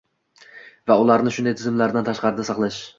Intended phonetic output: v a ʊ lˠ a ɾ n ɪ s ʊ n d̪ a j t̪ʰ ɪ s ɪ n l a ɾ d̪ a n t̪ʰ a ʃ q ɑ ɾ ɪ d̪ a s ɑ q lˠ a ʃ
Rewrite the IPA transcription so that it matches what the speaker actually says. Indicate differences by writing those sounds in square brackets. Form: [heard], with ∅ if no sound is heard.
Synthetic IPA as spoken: v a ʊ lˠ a ɾ n ɪ [ʃ] ʊ n d̪ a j t̪ʰ ɪ [z] ɪ [m] l a ɾ d̪ a n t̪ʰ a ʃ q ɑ ɾ ɪ d̪ a s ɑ q lˠ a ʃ